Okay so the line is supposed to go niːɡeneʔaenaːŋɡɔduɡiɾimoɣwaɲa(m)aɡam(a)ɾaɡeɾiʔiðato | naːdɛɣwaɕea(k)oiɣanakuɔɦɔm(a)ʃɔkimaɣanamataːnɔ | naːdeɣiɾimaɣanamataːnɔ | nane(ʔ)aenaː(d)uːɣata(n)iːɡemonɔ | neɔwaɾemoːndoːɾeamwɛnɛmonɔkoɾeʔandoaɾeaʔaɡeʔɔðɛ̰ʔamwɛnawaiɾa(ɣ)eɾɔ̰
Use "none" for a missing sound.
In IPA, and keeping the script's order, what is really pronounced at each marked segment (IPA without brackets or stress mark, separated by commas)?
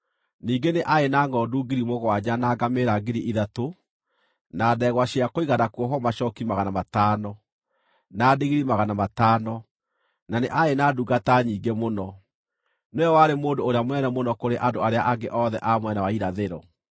n, e, k, a, ʔ, d, ɲ, ð